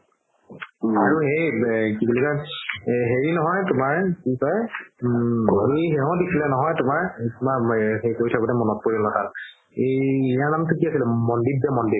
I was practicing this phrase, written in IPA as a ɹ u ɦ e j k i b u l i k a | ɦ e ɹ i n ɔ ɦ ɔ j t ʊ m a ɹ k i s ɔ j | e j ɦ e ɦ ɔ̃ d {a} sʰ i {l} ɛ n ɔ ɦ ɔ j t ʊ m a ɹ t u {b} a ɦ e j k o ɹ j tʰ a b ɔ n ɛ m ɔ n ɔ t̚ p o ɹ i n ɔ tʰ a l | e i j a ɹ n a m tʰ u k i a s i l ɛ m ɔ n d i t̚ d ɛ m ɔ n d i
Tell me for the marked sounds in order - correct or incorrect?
incorrect, correct, incorrect

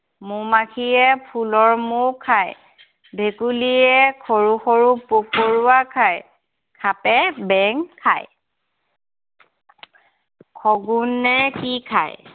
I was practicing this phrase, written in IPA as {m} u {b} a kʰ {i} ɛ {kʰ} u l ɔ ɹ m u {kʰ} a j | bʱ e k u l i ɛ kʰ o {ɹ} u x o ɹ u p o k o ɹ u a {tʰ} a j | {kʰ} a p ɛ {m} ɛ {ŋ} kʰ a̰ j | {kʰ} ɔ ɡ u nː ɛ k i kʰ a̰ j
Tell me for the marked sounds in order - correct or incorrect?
correct, incorrect, correct, incorrect, correct, correct, incorrect, correct, incorrect, correct, correct

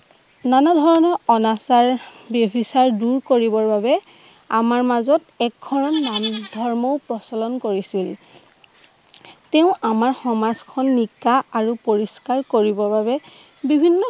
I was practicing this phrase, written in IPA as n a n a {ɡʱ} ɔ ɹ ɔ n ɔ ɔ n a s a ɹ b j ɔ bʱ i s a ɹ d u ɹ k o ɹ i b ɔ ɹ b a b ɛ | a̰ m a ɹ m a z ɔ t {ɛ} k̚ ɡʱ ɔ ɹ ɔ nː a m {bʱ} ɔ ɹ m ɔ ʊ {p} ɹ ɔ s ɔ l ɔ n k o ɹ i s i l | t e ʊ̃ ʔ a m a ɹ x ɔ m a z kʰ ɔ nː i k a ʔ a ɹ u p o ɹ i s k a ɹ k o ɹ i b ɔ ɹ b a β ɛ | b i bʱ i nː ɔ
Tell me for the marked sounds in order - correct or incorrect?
incorrect, correct, incorrect, correct

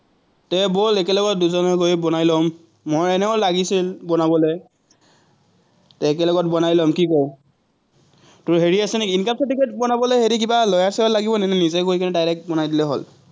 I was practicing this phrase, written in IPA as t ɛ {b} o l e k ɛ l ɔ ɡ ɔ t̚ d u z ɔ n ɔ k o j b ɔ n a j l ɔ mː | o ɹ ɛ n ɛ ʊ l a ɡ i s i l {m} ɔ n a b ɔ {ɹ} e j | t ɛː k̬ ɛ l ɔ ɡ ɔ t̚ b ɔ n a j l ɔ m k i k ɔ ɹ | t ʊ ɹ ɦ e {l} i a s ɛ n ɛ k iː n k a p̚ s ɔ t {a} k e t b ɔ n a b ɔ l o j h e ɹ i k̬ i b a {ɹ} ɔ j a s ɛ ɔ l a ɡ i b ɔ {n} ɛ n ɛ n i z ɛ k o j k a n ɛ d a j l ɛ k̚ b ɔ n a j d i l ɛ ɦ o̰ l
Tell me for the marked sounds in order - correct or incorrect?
correct, incorrect, incorrect, incorrect, incorrect, incorrect, correct

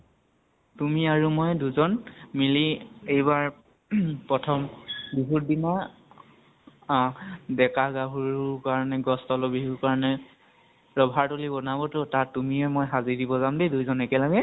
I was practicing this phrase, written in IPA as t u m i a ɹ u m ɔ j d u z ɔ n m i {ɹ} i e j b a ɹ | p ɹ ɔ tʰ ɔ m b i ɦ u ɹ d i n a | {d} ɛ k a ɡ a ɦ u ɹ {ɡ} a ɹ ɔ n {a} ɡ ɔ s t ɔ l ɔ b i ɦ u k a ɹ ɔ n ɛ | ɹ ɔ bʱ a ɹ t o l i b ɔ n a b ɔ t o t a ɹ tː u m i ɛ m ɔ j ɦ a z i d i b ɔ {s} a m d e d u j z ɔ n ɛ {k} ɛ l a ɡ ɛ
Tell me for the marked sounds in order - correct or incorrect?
incorrect, correct, incorrect, incorrect, incorrect, correct

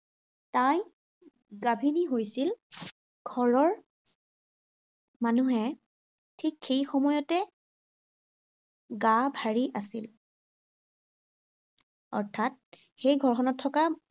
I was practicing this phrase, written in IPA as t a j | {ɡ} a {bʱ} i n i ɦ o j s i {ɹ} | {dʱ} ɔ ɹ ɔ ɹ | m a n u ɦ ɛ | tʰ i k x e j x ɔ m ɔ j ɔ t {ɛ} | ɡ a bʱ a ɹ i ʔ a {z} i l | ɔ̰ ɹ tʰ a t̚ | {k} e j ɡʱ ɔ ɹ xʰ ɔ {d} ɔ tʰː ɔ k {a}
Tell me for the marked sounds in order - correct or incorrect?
correct, correct, incorrect, incorrect, correct, incorrect, incorrect, incorrect, correct

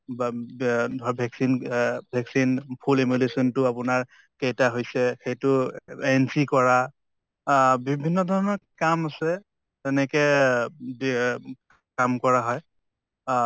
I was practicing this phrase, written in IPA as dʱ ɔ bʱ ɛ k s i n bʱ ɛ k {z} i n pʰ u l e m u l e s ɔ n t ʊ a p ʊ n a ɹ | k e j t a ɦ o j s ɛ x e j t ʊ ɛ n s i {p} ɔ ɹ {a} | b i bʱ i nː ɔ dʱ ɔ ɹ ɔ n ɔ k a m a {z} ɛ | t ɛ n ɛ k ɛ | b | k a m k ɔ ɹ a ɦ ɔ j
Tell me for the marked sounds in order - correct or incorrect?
incorrect, incorrect, correct, incorrect

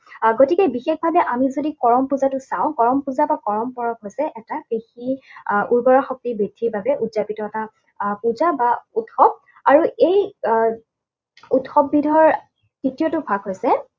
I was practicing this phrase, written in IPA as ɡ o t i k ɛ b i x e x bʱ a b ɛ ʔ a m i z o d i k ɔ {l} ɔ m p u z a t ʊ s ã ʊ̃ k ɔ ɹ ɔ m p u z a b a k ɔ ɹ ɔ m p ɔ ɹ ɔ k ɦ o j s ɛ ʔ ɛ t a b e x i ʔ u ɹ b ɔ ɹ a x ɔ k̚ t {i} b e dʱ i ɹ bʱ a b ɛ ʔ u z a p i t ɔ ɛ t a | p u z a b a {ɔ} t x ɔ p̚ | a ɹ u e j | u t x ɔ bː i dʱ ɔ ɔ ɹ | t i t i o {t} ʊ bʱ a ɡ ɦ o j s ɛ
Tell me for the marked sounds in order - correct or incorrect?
incorrect, correct, incorrect, correct

